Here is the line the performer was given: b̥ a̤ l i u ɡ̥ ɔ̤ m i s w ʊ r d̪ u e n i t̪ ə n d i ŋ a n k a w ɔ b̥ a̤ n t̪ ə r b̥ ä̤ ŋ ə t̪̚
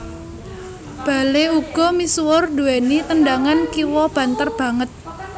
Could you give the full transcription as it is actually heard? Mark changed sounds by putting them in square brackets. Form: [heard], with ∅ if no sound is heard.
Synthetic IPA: b̥ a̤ l [e] u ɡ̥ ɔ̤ m i s w ʊ r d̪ u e n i t̪ ə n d [a] ŋ a n k [i] w ɔ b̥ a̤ n t̪ ə r b̥ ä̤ ŋ ə t̪̚